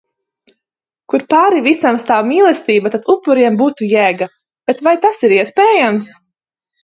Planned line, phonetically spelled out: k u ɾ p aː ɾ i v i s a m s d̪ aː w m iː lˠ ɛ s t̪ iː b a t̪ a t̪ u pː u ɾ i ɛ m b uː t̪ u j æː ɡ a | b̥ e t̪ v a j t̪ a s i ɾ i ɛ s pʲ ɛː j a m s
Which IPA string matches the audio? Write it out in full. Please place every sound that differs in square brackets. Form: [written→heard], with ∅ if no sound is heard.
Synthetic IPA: k u ɾ p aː ɾ i v i s a m s [d̪→t̪] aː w m iː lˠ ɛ s t̪ iː b a t̪ a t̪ u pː u ɾ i ɛ m b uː t̪ u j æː ɡ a | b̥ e t̪ v a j t̪ a s i ɾ i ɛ s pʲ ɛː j a m s